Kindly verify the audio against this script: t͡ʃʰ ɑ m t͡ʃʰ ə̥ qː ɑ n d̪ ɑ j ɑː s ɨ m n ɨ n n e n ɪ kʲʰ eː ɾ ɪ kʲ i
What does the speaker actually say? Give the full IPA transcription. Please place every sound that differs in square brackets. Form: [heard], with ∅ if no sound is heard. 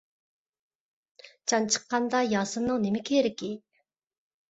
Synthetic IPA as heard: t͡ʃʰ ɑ [n] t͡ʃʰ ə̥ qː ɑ n d̪ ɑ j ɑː s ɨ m n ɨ [ŋ] n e [m] ɪ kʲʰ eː ɾ ɪ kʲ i